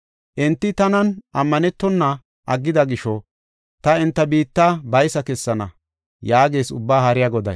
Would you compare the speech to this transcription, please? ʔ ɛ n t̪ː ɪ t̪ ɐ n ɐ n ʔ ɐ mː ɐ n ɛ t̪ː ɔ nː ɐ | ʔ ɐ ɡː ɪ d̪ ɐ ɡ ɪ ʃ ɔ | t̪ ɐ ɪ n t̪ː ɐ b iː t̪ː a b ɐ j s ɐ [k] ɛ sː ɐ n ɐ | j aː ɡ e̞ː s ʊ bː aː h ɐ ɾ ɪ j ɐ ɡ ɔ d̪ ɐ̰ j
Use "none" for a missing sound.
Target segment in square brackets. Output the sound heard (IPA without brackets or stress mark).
k